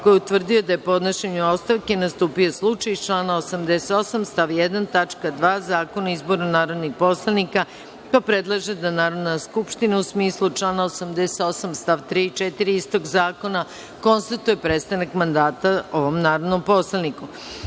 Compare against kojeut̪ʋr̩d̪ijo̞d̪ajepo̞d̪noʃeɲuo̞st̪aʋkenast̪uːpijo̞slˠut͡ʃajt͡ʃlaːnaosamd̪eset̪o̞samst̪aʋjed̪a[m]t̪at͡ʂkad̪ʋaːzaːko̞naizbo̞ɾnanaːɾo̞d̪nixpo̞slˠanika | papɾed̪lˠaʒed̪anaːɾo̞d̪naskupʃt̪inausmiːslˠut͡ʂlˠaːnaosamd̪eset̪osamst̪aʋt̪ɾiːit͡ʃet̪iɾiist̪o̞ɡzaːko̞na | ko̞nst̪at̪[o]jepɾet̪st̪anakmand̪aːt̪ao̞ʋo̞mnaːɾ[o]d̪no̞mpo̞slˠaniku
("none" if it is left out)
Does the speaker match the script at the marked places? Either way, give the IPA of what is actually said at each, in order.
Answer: n, u, o

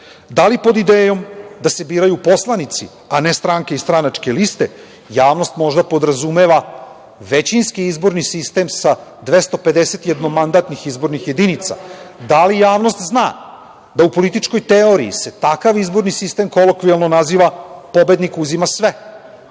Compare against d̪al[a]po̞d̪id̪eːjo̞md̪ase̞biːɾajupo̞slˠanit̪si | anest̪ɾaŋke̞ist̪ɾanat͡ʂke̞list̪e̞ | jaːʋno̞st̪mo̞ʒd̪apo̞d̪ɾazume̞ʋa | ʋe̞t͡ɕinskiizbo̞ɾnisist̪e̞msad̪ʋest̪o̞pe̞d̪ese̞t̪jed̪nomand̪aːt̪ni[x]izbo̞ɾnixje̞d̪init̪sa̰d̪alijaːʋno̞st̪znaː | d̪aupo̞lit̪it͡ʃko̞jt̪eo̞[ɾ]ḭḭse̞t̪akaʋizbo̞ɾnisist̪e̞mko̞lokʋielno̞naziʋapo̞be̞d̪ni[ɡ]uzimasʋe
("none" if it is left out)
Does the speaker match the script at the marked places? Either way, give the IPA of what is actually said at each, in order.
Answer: i, x, ɾ, k

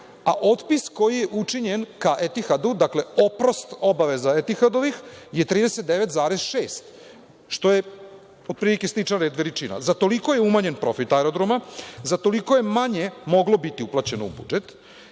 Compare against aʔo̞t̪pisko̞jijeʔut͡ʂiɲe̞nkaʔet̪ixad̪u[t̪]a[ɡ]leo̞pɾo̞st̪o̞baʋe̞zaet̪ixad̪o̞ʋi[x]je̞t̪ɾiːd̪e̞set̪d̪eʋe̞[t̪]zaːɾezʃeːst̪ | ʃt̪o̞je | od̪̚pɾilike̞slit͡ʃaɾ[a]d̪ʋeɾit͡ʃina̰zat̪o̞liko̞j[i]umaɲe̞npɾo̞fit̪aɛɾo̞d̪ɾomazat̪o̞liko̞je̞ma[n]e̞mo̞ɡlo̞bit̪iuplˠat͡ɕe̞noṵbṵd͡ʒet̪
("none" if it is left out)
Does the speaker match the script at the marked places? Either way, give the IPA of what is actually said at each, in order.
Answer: d̪, k, x, t̪, e, e, ɲ

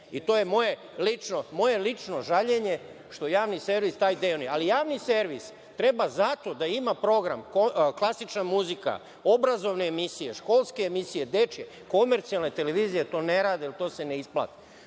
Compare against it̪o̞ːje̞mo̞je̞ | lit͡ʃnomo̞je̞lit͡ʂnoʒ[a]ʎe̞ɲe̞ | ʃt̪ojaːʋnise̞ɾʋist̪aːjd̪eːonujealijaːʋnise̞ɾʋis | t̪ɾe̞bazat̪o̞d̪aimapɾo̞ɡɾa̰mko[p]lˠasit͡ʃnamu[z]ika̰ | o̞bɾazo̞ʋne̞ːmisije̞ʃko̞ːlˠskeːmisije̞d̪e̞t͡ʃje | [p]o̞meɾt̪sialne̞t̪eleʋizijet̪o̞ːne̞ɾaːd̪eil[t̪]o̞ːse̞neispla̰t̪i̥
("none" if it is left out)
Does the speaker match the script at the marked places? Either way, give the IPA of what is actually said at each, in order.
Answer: a, k, z, k, t̪

